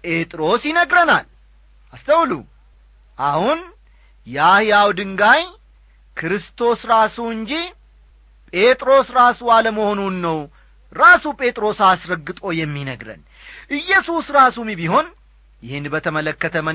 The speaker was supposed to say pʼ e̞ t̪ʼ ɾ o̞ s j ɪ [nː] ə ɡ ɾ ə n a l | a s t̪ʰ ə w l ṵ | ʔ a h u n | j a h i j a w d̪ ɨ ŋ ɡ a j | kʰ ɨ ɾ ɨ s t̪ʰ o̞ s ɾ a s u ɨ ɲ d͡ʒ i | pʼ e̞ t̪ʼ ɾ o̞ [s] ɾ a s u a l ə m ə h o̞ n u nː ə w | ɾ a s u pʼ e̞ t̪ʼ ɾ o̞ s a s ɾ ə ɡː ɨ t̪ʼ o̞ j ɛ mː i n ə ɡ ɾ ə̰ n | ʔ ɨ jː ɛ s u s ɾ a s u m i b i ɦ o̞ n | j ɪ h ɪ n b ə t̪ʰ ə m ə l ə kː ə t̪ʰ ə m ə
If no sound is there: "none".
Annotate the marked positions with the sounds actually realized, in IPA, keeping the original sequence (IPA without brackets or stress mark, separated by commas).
n, s